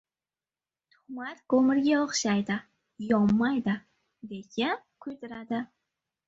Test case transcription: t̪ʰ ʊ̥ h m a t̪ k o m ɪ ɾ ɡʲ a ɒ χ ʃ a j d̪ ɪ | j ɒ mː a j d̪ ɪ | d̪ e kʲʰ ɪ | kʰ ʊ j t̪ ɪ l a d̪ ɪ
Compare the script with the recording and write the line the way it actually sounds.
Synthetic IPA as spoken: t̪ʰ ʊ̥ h m a t̪ k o m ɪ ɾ ɡʲ a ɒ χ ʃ a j d̪ ɪ | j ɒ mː a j d̪ ɪ | d̪ e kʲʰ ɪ | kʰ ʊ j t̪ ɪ ɾ a d̪ ɪ